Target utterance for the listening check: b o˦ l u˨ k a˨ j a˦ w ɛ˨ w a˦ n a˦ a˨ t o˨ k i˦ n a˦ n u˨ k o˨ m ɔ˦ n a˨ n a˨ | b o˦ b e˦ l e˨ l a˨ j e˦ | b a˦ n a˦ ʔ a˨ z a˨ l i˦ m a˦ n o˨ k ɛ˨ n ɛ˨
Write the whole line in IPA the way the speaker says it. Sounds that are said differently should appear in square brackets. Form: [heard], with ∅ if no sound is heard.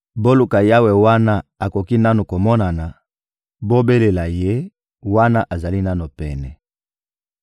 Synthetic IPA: b o˦ l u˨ k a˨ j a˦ w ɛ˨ w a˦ n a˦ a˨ [k] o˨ k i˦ n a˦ n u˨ k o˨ m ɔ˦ n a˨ n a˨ | b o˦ b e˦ l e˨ l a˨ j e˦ | [w] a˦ n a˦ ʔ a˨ z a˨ l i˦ [n] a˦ n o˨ [p] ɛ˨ n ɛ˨